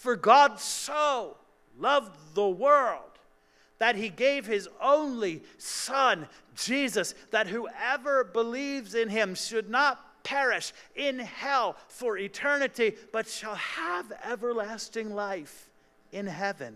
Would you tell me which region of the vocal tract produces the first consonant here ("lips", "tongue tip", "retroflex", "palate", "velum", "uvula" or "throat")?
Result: lips